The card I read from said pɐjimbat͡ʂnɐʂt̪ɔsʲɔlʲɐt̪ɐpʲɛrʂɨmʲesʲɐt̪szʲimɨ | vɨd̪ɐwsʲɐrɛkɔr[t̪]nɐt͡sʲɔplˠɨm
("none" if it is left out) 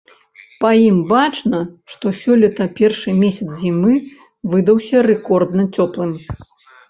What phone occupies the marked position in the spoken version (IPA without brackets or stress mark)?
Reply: d̪